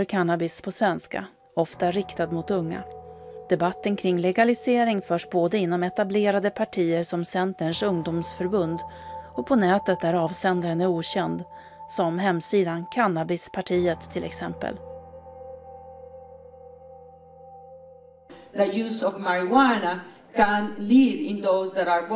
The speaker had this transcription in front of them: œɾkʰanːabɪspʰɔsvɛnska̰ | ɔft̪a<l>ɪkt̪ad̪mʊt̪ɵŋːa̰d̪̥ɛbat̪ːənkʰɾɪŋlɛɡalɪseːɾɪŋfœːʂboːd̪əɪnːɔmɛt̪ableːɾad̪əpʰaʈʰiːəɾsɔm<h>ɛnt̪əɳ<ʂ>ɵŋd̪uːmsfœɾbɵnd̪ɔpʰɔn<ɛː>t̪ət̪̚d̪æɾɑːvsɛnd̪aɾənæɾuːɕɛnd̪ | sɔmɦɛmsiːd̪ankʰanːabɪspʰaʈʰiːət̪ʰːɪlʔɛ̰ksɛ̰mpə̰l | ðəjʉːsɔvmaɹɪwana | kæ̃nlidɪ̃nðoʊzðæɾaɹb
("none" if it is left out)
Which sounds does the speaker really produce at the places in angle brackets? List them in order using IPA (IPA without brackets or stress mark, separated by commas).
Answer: ɾ, s, ʂ, ɛː